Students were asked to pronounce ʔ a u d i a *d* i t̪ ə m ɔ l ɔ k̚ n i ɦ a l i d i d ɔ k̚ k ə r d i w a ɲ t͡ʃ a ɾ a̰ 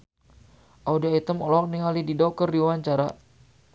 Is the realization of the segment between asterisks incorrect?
yes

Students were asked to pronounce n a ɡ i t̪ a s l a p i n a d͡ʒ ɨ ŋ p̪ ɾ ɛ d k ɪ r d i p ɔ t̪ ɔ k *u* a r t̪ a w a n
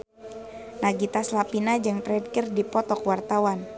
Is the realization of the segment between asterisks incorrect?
yes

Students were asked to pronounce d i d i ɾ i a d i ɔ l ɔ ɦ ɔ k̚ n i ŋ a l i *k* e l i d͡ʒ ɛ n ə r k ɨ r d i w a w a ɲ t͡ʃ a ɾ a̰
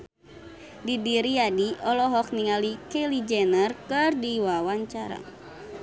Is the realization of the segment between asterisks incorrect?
no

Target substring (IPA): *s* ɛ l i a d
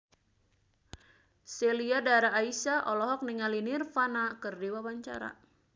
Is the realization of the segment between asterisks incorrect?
no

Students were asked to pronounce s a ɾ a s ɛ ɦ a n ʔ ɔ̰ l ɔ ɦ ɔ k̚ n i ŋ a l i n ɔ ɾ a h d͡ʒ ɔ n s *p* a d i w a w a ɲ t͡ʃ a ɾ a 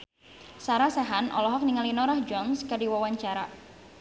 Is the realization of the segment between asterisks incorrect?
yes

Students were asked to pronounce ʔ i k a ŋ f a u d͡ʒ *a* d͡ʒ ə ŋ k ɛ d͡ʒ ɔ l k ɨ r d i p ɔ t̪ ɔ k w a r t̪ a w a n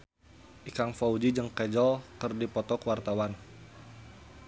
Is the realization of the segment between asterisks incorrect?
yes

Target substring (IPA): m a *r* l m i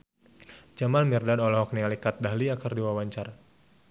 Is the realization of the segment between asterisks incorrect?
yes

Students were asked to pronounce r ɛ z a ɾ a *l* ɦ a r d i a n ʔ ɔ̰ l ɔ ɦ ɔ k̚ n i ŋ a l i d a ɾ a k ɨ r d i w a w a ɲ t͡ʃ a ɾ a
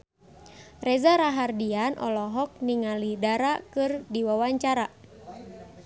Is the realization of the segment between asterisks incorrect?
yes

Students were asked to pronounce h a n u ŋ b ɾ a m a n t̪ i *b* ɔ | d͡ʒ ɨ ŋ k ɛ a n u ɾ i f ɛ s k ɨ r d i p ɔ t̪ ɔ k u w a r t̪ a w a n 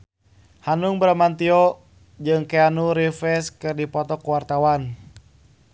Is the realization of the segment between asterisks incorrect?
yes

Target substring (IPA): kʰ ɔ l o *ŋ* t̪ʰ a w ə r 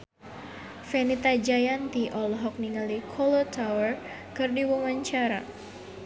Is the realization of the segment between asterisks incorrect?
yes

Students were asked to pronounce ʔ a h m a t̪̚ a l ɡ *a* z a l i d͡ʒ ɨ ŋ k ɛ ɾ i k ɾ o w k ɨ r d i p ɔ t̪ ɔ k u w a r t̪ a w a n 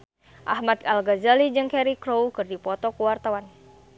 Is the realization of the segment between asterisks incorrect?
no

